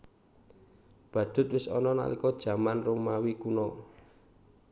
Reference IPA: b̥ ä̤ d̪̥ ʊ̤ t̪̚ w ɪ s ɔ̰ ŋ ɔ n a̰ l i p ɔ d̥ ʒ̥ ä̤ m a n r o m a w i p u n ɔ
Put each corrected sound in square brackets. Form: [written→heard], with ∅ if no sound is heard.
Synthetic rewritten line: b̥ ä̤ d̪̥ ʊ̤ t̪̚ w ɪ s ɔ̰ [ŋ→n] ɔ n a̰ l i [p→k] ɔ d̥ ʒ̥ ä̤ m a n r o m a w i [p→k] u n ɔ